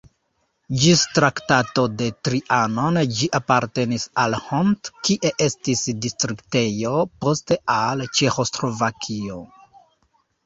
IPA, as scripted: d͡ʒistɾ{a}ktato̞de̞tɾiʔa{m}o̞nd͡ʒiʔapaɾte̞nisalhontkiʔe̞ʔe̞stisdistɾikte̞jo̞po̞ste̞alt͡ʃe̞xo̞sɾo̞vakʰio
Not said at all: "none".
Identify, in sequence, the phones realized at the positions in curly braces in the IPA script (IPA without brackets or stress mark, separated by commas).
a, n